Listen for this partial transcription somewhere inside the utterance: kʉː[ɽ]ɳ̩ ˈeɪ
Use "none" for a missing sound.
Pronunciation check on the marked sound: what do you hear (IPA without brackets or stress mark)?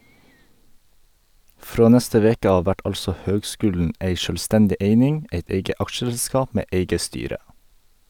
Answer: l